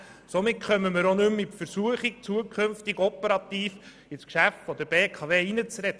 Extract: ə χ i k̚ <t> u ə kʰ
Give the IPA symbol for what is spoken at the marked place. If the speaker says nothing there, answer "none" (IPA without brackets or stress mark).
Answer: t͡s